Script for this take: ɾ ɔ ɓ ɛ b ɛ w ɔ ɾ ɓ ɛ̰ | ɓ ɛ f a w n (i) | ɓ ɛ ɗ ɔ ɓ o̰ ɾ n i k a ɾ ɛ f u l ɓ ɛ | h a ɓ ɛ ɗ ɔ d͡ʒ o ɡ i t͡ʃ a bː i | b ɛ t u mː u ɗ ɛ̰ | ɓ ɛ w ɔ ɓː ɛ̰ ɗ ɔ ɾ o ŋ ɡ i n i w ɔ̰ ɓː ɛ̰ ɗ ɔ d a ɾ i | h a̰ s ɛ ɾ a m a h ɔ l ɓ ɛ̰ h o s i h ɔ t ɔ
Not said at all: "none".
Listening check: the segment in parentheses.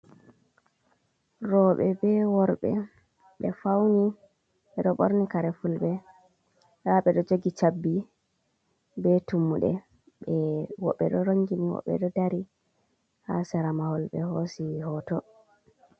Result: i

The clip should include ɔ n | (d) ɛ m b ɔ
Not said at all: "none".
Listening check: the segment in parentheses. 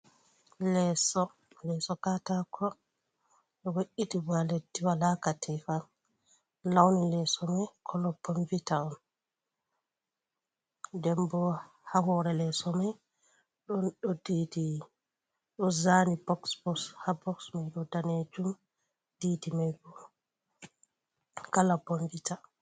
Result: d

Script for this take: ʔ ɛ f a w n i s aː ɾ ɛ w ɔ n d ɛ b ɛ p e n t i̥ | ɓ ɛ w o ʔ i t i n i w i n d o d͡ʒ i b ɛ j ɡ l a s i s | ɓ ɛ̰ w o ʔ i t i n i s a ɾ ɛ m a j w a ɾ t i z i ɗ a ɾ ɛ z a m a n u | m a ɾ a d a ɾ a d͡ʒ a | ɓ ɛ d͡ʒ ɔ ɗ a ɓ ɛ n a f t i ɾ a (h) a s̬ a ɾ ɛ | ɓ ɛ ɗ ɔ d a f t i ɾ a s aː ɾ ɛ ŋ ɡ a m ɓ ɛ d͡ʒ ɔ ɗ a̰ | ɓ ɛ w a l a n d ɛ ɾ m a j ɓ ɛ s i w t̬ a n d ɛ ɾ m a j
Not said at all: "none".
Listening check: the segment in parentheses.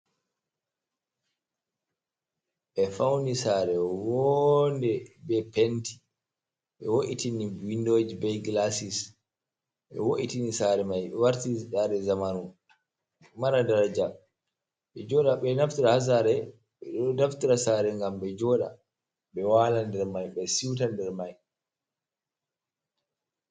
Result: h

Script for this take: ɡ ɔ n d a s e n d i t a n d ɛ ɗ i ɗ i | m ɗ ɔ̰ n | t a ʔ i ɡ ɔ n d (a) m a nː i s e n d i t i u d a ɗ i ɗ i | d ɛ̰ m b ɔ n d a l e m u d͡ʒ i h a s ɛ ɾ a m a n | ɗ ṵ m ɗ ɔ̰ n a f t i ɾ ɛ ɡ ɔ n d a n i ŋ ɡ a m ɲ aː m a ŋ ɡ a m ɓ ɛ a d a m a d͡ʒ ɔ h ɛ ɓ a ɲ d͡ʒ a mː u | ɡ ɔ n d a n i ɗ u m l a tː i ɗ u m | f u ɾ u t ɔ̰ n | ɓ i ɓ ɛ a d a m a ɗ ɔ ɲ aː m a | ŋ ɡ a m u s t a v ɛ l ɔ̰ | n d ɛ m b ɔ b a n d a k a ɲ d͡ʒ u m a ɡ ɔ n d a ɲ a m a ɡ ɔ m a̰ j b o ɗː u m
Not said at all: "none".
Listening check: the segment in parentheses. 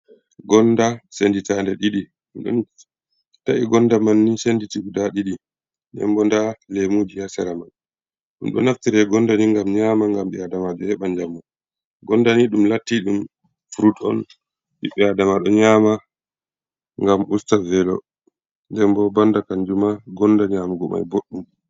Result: a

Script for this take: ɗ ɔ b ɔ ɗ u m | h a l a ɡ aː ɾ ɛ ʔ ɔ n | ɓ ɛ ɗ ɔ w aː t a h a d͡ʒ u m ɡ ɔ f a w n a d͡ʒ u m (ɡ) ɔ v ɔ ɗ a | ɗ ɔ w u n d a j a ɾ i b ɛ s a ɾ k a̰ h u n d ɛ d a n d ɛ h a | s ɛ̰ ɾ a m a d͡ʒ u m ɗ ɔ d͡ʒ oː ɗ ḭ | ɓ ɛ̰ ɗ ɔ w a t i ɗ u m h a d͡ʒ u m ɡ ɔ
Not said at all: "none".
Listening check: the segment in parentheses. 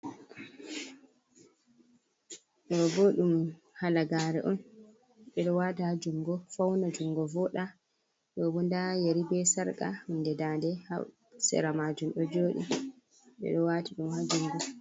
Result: ɡ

